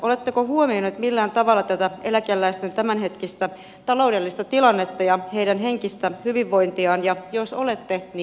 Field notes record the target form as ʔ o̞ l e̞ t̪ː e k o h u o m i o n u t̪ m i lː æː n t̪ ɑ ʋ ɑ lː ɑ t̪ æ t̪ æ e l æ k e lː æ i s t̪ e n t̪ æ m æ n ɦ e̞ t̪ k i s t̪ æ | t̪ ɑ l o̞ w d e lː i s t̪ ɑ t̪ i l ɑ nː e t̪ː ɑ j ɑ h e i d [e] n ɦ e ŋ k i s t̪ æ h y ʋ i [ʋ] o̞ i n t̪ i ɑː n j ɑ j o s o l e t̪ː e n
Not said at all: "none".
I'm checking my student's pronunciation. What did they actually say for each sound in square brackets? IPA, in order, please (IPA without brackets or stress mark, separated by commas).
æ, ʋː